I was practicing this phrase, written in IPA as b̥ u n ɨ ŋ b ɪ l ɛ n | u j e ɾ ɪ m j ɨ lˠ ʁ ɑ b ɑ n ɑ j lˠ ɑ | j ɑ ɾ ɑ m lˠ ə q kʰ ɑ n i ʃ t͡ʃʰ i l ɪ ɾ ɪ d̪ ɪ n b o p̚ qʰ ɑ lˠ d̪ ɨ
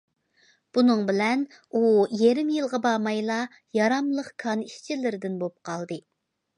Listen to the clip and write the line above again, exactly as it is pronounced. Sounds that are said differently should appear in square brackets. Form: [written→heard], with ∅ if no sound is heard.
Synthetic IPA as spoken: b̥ u n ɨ ŋ b ɪ l ɛ n | u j e ɾ ɪ m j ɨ lˠ ʁ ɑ b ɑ [n→m] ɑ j lˠ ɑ | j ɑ ɾ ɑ m lˠ ə q kʰ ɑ n i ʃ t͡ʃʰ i l ɪ ɾ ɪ d̪ ɪ n b o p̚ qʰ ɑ lˠ d̪ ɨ